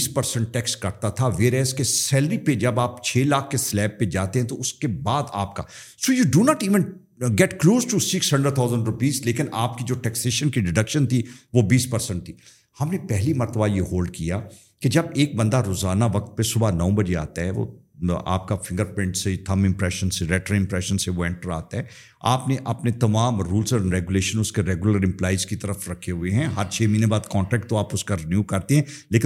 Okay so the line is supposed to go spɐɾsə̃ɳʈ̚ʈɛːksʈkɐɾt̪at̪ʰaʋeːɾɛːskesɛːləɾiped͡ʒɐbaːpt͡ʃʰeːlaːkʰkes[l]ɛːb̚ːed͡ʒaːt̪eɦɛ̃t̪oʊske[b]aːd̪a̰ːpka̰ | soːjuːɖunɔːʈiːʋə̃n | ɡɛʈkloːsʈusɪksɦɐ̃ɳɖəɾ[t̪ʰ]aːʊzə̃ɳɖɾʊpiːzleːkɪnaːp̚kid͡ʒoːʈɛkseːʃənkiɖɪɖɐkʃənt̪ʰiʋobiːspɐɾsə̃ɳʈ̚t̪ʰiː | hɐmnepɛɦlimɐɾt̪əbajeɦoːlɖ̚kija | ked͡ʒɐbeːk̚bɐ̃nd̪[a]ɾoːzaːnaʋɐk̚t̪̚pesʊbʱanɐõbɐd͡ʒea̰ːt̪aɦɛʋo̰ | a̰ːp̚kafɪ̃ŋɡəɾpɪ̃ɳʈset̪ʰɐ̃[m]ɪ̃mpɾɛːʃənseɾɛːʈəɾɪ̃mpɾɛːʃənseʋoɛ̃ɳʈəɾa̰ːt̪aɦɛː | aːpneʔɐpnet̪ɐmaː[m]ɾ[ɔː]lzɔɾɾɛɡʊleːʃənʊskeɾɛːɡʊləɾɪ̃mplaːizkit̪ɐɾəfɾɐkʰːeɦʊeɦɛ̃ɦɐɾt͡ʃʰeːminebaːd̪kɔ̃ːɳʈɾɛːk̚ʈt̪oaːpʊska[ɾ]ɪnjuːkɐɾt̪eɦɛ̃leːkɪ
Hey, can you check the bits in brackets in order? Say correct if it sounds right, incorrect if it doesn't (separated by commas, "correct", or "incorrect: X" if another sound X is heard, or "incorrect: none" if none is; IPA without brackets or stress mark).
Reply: correct, correct, correct, correct, correct, correct, incorrect: uː, correct